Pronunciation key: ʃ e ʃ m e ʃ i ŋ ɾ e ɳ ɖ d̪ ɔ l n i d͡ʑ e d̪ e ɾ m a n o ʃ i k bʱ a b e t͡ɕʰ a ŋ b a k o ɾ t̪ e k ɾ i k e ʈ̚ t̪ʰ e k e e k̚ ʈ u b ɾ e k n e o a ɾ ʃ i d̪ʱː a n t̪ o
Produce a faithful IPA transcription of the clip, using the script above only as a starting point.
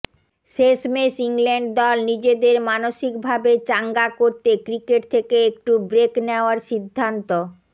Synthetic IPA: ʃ e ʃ m e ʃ i ŋ l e ɳ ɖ d̪ ɔ l n i d͡ʑ e d̪ e ɾ m a n o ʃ i k bʱ a b e t͡ɕ a ŋ ɡ a k o ɾ t̪ e k ɾ i k e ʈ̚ t̪ʰ e k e e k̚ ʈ u b ɾ e k n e o a ɾ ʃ i d̪ʱː a n t̪ o